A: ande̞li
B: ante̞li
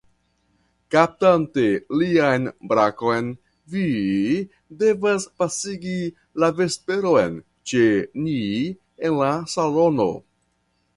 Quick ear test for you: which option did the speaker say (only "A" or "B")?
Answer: B